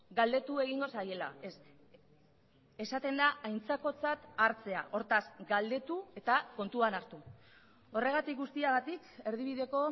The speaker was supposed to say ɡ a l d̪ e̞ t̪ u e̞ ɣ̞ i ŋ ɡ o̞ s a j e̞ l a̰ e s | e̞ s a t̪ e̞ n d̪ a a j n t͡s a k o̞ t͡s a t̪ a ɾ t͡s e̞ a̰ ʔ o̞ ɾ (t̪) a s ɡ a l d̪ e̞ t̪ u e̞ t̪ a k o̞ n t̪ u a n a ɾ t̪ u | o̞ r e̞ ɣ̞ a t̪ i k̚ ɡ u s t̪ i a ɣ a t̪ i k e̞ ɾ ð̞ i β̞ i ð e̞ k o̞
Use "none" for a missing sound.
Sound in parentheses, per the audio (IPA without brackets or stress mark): t̪